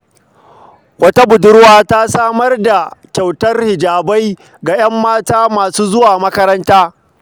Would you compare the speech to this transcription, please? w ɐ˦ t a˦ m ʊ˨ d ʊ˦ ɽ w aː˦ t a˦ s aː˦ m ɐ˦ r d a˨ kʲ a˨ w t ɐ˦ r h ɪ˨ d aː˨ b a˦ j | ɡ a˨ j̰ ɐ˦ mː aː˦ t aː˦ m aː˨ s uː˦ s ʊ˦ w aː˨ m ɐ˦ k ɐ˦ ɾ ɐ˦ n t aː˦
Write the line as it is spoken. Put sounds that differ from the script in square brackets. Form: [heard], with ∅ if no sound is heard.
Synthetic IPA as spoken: w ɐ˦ t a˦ [b] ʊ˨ d ʊ˦ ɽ w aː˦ t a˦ s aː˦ m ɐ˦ r d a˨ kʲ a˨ w t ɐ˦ r h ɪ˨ [d͡ʒ] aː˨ b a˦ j | ɡ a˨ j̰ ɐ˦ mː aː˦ t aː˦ m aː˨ s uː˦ [z] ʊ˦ w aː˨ m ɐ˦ k ɐ˦ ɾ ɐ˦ n t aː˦